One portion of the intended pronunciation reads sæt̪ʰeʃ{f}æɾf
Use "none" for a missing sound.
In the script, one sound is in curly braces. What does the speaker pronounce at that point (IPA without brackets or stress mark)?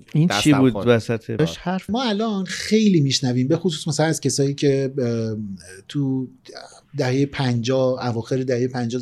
h